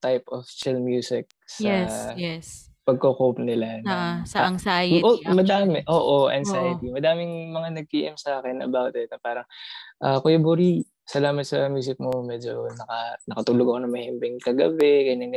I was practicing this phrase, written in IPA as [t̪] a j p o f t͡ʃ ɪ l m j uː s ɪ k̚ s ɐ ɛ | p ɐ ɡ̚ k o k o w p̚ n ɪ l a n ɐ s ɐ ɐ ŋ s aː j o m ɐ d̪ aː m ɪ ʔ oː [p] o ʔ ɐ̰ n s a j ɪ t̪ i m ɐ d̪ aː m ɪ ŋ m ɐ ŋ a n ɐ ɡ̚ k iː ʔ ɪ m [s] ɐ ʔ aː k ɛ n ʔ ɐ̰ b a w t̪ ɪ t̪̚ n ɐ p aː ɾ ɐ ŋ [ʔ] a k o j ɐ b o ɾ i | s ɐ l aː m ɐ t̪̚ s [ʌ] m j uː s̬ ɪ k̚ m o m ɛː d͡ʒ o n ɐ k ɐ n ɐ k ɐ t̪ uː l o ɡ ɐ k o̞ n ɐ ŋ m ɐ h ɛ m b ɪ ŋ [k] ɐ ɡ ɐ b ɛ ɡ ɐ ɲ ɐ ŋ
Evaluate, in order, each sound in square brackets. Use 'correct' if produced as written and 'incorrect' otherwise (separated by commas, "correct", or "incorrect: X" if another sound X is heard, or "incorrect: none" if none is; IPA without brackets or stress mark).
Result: correct, incorrect: ʔ, correct, correct, incorrect: ɐ, correct